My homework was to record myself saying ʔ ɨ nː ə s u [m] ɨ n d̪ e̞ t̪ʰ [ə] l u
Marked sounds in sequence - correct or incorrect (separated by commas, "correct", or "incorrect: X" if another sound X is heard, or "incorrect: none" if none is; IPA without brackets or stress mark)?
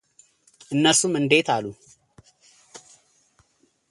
correct, incorrect: a